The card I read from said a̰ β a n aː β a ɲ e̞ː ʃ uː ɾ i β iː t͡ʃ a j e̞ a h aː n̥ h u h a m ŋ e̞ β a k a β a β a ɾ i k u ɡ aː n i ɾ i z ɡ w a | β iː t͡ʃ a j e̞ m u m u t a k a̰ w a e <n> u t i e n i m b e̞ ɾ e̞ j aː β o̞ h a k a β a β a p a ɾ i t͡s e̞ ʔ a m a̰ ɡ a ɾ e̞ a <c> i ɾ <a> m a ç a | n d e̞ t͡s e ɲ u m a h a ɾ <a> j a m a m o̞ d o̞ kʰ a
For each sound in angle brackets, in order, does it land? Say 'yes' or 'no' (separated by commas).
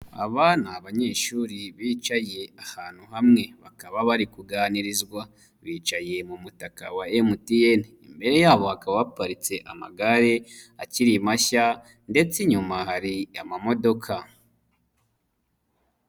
no, yes, no, no